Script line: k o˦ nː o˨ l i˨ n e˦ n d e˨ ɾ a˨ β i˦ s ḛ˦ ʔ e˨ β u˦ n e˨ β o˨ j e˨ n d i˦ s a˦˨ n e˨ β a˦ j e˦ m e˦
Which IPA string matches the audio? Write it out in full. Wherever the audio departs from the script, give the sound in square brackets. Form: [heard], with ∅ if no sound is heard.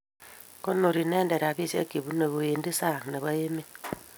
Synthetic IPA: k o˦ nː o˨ [ɾ] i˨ n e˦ n d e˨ ɾ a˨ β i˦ s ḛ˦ [k] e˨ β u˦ n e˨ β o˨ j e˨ n d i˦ s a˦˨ n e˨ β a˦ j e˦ m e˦